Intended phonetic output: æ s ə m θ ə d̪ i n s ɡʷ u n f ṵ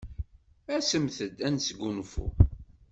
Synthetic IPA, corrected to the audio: æ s ə m θ ə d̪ æ n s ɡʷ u n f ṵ